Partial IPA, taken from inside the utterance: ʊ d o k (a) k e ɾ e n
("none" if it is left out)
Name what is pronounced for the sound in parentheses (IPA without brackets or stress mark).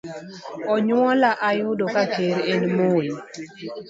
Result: a